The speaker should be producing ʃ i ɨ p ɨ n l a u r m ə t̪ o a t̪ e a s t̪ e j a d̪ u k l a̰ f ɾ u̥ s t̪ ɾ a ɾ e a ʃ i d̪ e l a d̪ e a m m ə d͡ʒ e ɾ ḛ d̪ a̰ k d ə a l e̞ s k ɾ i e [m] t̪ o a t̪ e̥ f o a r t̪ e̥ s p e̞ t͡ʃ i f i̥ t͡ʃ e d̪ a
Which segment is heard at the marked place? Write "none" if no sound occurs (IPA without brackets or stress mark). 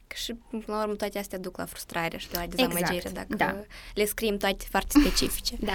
m